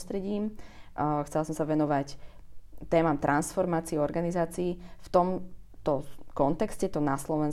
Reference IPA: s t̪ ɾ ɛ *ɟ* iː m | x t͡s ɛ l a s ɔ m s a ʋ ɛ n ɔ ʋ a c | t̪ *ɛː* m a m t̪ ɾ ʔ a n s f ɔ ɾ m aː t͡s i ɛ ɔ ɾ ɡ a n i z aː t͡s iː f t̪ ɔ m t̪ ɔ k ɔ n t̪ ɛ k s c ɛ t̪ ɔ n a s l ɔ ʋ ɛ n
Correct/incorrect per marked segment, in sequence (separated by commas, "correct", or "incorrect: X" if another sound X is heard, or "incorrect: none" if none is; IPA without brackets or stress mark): correct, correct